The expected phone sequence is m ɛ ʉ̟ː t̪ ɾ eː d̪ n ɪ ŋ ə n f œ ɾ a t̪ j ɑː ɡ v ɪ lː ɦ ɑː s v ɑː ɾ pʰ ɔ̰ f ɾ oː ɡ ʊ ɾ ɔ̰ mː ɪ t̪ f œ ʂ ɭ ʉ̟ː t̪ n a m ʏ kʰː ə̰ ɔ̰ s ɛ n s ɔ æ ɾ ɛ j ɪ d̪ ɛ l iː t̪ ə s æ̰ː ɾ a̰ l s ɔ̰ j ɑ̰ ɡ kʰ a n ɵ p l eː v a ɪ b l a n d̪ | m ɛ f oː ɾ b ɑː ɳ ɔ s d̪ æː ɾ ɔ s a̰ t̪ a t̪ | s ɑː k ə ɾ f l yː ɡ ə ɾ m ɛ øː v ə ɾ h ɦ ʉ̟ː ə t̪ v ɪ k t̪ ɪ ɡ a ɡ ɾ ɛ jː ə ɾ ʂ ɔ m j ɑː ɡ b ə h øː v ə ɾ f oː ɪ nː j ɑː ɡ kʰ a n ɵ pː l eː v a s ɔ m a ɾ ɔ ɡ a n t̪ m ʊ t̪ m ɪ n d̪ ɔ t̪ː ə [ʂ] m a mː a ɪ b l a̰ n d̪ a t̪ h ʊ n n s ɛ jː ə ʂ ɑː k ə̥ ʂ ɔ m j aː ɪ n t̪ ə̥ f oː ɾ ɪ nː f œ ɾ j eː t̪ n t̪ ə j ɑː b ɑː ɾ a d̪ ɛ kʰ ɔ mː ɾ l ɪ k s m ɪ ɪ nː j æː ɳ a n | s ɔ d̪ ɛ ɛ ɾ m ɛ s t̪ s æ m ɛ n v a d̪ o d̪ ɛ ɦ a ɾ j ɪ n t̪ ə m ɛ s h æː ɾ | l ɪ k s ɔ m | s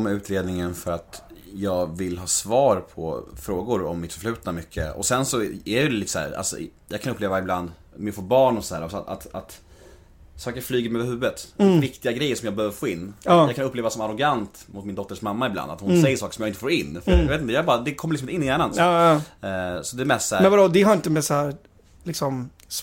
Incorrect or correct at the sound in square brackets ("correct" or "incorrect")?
correct